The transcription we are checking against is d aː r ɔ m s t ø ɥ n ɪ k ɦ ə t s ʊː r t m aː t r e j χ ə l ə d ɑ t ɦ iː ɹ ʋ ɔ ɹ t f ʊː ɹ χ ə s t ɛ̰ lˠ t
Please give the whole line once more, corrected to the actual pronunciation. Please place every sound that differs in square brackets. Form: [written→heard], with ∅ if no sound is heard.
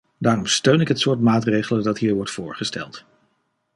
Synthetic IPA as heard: d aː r ɔ m s t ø ɥ n ɪ k ɦ ə t s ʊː [r→ɹ] t m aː t r e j χ ə l ə d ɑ t ɦ iː ɹ ʋ ɔ ɹ t f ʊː ɹ χ ə s t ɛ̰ lˠ t